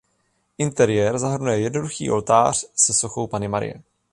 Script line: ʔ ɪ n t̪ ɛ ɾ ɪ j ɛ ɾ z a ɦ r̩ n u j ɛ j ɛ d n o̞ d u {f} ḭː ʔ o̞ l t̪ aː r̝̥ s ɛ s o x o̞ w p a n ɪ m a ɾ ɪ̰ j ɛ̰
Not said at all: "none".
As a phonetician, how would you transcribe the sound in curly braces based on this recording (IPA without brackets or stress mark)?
x